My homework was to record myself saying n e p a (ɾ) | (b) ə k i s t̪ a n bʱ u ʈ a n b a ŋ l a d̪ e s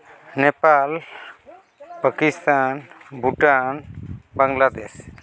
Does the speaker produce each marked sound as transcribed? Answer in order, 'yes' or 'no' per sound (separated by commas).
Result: no, no